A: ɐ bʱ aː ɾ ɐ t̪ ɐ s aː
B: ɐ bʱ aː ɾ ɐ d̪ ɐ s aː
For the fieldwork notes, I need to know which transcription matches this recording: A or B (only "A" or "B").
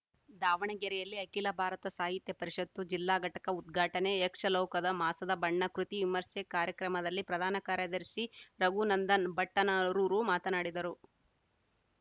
A